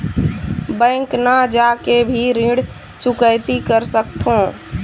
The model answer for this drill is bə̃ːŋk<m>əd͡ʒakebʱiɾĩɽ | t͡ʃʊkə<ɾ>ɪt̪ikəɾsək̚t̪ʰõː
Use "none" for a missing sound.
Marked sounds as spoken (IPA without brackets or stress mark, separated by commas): n, none